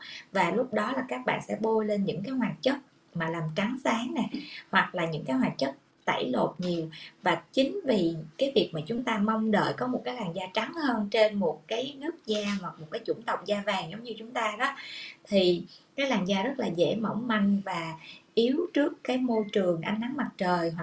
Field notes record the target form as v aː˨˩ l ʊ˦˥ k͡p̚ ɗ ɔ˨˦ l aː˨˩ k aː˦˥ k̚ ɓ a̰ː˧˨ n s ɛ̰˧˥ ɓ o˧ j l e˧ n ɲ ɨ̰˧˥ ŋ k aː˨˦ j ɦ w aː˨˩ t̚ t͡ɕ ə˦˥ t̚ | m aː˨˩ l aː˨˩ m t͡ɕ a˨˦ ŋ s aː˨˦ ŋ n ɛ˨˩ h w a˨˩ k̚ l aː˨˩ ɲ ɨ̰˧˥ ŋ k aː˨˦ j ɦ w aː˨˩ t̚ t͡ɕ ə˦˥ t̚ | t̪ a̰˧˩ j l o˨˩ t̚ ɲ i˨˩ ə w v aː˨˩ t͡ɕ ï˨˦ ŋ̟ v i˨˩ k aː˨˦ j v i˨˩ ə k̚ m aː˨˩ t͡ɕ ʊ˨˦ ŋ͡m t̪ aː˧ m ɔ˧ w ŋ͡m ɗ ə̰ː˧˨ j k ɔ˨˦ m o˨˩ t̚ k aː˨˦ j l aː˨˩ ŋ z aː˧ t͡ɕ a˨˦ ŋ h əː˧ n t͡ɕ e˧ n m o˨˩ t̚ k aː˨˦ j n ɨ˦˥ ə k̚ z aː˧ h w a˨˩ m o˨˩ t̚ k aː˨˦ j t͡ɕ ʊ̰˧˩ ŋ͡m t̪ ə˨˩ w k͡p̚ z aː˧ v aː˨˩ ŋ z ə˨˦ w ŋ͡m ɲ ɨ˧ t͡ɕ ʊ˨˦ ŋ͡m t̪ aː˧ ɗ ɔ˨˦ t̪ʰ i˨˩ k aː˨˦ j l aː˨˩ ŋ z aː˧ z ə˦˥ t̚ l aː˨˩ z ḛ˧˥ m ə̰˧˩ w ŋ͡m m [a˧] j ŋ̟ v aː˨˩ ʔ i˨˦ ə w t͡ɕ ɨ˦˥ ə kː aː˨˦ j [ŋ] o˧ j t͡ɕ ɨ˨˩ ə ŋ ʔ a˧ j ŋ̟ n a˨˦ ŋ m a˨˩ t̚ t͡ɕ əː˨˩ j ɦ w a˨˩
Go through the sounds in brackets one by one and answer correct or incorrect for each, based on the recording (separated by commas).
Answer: correct, incorrect